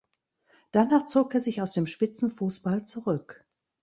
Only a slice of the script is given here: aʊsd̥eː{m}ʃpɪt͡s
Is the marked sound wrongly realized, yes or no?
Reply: no